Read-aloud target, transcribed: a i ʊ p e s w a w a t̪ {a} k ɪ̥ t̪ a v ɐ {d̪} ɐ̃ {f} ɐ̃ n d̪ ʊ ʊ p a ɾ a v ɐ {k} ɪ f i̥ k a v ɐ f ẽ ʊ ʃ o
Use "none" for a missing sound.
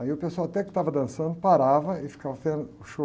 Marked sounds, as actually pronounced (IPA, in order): ɛ, d̪, s, none

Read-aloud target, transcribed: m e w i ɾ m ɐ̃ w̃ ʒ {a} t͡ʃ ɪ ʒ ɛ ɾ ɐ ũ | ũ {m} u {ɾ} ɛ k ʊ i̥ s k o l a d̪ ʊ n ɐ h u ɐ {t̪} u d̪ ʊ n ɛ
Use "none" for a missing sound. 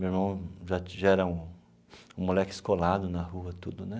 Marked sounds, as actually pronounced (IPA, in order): a, m, l, t̪

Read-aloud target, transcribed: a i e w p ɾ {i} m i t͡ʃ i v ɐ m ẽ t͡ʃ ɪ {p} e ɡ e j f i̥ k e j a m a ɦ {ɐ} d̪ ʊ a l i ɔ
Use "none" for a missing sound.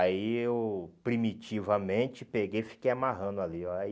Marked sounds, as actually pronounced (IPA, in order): i, p, ɐ̃

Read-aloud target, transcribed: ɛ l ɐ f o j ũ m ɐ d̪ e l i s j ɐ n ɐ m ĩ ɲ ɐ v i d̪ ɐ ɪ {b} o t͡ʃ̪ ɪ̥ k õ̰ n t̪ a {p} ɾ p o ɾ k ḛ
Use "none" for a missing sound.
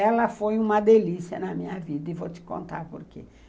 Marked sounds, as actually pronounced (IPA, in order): v, none

